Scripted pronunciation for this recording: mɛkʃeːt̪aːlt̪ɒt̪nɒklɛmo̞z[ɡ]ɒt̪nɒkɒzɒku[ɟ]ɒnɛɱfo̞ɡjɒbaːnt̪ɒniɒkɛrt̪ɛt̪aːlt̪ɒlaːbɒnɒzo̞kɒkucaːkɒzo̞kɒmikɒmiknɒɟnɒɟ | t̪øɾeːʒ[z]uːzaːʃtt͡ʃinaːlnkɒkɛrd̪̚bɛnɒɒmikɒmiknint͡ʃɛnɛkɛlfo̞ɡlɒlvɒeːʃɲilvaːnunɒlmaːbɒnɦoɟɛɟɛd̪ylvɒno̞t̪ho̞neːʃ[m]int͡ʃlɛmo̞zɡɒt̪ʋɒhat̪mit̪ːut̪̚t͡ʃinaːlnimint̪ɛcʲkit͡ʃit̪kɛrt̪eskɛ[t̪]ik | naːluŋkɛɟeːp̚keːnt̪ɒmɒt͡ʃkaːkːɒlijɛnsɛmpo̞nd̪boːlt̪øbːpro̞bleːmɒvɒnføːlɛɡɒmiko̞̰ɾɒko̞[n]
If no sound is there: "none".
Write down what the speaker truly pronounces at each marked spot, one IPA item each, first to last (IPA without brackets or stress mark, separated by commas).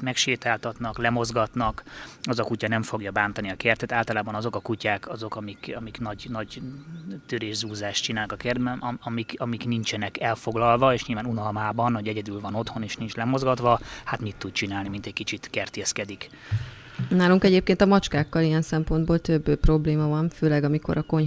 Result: ɡ, c, z, n, d̪, ɲ